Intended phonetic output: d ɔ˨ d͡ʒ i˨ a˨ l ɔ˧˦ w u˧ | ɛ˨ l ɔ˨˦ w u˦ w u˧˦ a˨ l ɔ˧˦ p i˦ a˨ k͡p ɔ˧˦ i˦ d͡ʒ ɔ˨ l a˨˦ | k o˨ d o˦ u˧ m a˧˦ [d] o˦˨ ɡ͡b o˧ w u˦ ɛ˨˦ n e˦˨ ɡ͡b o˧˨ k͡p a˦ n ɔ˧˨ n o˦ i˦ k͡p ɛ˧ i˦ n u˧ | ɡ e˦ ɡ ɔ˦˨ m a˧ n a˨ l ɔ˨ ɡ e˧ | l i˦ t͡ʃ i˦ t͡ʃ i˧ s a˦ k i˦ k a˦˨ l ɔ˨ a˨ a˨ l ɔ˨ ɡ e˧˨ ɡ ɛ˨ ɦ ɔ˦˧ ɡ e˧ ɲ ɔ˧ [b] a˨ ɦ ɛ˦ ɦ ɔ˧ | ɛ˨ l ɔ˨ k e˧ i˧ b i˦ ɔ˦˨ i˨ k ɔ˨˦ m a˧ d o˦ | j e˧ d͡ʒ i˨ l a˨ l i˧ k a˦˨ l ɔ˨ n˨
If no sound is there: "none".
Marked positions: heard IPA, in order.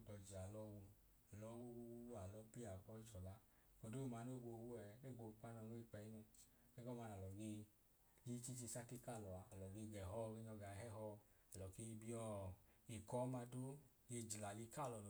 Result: n, ɡ

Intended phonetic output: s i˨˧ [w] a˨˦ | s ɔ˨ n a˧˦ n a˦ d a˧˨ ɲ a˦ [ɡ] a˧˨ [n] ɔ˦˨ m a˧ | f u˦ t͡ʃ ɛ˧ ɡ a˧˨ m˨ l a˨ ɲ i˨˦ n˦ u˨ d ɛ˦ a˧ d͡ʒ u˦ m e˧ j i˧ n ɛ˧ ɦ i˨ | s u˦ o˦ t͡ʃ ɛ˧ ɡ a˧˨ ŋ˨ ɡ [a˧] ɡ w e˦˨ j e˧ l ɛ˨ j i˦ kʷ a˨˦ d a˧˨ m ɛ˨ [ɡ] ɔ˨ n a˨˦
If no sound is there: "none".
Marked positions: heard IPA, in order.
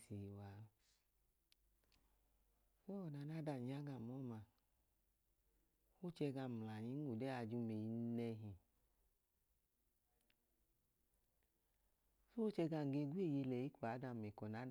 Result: w, ɡ, m, e˧, k

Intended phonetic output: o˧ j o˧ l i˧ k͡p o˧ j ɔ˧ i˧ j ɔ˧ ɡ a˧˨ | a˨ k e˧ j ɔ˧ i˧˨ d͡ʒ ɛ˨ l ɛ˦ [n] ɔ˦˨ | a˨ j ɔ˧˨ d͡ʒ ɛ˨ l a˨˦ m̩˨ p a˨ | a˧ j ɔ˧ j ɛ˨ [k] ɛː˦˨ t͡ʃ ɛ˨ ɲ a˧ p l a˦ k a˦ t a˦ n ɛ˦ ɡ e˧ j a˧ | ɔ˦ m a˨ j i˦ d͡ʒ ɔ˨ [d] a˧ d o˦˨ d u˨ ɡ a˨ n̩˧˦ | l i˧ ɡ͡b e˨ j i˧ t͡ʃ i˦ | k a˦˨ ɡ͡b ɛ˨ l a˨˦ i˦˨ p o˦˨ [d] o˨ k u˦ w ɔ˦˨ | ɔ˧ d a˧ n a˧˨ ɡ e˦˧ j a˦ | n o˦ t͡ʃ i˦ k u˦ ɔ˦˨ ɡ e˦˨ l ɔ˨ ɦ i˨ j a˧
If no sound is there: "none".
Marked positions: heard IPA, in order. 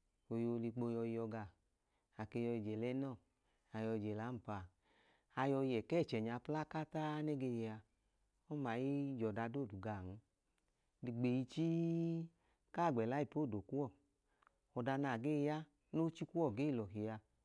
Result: n, k, d, d

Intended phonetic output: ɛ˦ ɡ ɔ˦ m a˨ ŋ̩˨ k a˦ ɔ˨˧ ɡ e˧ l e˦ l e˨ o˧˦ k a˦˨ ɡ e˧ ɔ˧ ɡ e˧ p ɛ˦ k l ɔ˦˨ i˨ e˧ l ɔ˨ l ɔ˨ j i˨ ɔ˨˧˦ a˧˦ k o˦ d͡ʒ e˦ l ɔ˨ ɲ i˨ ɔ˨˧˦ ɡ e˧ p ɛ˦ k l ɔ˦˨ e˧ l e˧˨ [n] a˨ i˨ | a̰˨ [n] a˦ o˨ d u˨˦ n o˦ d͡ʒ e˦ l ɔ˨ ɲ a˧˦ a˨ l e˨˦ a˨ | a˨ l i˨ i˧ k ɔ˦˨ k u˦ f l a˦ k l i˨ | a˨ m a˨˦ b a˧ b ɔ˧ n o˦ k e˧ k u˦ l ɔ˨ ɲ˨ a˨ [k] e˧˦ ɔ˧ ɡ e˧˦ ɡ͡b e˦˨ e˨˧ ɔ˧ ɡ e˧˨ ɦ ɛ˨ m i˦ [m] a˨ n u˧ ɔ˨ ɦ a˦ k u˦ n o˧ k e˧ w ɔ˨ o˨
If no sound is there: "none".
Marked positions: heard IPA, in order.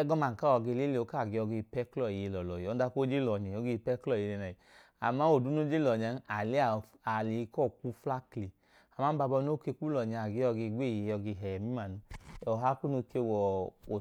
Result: n, m, ɡ, m

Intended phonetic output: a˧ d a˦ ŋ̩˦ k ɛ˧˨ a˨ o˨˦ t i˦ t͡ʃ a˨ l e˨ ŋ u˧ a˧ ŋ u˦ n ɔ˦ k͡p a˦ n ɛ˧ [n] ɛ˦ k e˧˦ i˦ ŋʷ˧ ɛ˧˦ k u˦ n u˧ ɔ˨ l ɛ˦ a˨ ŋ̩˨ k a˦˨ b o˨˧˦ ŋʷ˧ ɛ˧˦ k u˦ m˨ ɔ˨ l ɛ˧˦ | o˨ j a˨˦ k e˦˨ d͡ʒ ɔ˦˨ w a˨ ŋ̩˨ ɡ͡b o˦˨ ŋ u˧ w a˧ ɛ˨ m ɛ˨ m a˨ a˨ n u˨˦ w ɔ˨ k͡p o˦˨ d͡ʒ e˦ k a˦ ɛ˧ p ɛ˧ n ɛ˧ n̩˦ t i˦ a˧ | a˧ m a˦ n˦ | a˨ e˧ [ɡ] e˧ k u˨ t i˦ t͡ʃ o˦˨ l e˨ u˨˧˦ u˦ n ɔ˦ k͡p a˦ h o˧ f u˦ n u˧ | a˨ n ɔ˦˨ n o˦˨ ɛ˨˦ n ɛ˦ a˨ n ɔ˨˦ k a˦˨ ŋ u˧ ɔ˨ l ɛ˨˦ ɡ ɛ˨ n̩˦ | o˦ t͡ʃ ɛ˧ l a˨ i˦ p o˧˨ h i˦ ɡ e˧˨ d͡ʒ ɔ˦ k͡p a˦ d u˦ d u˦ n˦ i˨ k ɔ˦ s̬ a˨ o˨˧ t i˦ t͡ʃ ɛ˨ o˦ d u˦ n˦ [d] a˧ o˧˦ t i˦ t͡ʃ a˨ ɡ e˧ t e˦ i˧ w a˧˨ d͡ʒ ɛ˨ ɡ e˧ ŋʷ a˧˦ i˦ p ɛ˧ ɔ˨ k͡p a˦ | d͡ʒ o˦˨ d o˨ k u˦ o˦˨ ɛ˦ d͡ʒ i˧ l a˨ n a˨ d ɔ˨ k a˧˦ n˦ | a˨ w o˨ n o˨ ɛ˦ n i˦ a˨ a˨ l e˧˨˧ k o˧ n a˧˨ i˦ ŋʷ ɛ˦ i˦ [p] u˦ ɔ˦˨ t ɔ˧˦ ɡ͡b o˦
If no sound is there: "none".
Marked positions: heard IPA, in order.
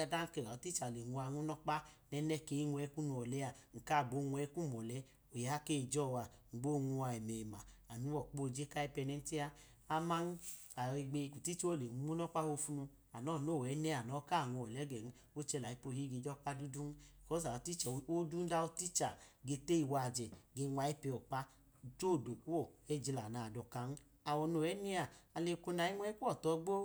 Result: n, ɡ͡b, d, k

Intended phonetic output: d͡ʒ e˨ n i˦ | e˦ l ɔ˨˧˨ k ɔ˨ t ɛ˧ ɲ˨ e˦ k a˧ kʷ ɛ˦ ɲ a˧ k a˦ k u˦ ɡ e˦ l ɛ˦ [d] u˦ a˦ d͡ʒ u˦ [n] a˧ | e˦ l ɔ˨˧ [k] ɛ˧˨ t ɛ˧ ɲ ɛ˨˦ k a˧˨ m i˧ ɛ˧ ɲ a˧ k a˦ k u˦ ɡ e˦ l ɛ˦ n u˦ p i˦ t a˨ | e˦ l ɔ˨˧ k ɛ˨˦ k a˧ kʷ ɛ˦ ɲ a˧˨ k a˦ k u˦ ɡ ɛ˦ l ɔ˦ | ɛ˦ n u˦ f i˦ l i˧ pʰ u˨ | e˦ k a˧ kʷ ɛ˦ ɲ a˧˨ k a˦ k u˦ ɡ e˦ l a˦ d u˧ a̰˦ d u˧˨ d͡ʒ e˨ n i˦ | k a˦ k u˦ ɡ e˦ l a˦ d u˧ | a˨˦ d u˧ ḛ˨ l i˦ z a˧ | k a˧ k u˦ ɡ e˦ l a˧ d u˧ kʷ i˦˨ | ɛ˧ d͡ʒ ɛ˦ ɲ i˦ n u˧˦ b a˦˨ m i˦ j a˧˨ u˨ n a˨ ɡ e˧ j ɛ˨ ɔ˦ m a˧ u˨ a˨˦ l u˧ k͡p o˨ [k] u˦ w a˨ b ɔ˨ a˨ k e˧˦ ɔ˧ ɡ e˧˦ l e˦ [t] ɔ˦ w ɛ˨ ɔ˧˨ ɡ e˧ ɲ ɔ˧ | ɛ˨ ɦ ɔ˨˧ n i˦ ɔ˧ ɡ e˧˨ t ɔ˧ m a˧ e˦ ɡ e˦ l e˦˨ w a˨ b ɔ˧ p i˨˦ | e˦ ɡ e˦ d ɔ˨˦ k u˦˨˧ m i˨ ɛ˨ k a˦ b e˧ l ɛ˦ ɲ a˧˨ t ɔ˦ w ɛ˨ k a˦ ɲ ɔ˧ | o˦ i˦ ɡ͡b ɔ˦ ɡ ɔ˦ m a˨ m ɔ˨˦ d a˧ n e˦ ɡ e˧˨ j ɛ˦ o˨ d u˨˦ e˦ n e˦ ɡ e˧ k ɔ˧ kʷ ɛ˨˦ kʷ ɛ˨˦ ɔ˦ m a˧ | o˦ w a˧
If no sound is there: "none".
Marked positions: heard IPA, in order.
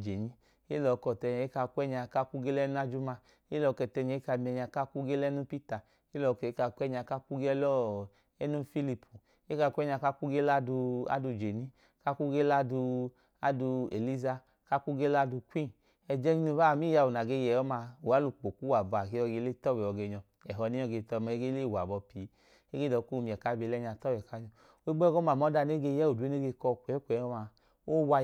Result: n, m, k, k, t

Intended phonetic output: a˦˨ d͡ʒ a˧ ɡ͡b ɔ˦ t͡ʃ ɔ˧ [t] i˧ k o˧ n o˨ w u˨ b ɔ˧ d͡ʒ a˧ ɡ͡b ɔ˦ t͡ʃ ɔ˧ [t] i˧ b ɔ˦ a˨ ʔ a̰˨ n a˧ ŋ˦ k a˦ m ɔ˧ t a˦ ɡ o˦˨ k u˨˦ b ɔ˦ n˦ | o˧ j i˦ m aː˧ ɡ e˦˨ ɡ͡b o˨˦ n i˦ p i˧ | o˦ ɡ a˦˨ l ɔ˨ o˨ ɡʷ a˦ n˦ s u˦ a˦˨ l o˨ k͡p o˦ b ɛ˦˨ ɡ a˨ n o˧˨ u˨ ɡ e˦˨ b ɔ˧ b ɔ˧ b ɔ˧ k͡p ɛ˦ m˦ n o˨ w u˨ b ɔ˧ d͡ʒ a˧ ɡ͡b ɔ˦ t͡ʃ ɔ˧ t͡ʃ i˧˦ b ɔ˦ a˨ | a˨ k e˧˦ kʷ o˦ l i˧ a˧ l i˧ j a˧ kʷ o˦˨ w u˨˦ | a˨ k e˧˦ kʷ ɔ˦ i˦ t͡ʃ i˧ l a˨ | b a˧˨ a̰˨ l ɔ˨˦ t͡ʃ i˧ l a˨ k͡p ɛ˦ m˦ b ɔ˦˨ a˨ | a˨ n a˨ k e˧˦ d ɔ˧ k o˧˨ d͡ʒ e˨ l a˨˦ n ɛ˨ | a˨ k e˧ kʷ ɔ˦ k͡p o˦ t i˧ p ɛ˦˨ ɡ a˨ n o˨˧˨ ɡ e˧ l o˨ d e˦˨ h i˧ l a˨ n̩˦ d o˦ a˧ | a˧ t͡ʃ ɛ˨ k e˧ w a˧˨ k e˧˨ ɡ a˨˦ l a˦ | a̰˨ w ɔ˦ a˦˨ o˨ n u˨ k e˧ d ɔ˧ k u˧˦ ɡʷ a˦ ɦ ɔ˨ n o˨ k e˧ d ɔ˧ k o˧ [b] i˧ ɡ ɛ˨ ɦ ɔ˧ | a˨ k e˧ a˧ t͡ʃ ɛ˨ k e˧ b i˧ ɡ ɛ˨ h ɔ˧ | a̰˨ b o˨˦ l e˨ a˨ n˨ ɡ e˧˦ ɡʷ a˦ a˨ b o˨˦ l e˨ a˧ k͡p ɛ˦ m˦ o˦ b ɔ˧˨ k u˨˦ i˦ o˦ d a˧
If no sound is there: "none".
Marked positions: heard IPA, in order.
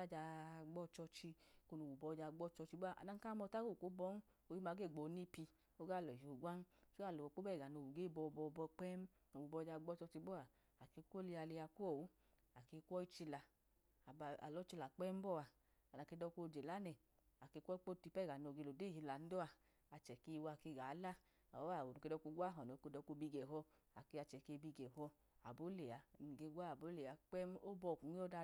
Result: t͡ʃ, t͡ʃ, b

